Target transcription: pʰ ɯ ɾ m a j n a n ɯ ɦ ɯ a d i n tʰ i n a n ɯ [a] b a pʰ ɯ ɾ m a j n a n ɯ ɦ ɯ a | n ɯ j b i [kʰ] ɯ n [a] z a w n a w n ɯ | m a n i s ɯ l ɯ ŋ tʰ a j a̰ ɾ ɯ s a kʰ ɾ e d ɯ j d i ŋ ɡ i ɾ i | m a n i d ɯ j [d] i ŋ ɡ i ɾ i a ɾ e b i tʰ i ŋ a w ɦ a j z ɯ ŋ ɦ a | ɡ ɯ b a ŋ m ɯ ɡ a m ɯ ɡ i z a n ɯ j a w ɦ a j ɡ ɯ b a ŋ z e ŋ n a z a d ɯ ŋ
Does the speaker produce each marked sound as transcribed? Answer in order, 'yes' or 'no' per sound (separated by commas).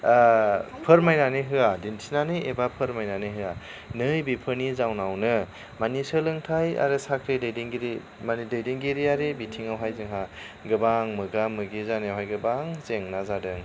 no, no, no, yes